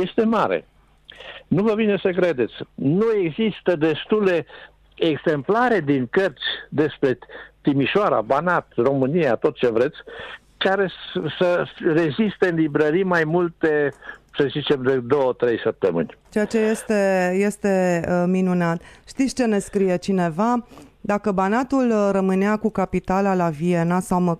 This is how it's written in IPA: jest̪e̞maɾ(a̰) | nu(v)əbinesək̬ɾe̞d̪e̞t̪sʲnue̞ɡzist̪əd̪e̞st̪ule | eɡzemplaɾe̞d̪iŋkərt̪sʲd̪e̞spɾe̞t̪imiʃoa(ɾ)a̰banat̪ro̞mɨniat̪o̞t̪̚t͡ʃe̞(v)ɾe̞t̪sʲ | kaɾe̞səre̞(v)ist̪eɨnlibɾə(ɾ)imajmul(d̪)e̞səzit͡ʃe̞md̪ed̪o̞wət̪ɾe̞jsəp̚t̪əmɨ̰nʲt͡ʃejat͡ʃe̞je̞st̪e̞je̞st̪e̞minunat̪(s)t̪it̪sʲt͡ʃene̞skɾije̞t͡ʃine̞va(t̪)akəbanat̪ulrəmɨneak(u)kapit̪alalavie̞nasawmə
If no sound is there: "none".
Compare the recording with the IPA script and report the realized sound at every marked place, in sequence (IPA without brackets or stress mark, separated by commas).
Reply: ḛ, v, ɾ, v, z, ɾ, t̪, ʃ, d̪, u